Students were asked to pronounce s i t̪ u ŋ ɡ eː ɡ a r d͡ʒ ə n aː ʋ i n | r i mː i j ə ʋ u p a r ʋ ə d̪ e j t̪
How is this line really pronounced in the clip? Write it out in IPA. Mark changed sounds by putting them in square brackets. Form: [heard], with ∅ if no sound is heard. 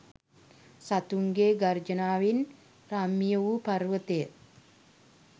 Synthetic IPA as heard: s [a] t̪ u ŋ ɡ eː ɡ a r d͡ʒ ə n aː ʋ i n | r [a] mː i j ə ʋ u p a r ʋ ə [t̪] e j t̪